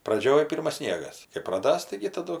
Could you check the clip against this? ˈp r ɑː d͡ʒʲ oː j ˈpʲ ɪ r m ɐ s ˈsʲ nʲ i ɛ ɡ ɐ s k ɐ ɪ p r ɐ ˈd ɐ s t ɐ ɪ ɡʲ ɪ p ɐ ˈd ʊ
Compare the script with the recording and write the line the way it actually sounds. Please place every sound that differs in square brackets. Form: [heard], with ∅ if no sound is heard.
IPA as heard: ˈp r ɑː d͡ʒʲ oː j ˈpʲ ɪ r m ɐ s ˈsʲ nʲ i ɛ ɡ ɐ s k ɐ ɪ p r ɐ ˈd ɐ s t ɐ ɪ ɡʲ ɪ [t] ɐ ˈd ʊ